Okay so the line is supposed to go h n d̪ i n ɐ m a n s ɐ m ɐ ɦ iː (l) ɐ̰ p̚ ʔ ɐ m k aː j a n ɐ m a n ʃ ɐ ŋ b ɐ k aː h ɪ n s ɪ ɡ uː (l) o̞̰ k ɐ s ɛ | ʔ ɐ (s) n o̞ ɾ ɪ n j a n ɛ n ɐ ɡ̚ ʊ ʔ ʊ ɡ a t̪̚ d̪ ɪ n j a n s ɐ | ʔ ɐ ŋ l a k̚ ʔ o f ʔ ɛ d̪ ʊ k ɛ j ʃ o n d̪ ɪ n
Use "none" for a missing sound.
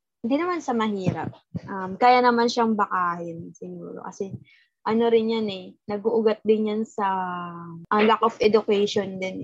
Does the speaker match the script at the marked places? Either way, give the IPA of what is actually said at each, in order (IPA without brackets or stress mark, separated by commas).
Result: ɾ, ɾ, none